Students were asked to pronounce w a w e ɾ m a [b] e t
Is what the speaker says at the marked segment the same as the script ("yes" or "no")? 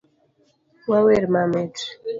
no